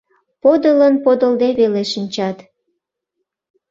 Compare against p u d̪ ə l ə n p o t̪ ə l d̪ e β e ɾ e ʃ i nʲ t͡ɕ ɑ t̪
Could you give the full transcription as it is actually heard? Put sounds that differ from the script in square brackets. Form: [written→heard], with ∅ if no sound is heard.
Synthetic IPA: p [u→o] d̪ ə l ə n p o [t̪→d̪] ə l d̪ e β e [ɾ→l] e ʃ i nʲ t͡ɕ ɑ t̪